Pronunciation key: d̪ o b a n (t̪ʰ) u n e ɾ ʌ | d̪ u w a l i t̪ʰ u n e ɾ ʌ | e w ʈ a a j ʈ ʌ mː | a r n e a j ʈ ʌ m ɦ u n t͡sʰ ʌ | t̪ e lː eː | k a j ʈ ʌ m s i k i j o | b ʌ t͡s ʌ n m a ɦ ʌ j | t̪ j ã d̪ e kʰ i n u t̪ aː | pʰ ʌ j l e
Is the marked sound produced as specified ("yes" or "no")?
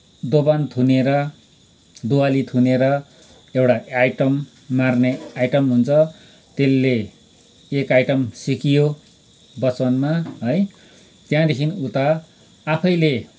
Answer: yes